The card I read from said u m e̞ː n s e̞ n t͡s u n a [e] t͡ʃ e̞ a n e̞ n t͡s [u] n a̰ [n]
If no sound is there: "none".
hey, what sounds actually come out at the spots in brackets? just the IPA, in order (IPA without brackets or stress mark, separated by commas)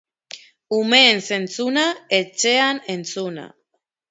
e, u, none